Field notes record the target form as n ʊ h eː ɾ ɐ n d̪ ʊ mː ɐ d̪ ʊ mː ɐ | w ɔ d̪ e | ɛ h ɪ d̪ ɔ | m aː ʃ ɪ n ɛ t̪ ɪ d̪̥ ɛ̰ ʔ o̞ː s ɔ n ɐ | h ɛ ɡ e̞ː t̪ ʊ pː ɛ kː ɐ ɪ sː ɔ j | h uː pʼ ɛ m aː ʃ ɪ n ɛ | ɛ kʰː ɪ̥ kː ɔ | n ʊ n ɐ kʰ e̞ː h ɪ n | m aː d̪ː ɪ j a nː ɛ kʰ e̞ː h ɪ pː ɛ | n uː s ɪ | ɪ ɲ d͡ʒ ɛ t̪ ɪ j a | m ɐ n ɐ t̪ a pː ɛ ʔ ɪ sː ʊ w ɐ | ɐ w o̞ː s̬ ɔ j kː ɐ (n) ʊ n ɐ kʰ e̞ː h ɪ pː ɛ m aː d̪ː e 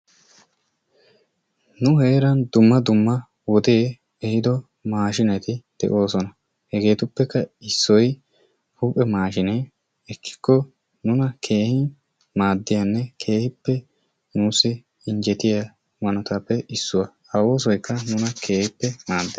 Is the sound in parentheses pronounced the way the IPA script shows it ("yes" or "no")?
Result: yes